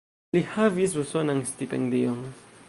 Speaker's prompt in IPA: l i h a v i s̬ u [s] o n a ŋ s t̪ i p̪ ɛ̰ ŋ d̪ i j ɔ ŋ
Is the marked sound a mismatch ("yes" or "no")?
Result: no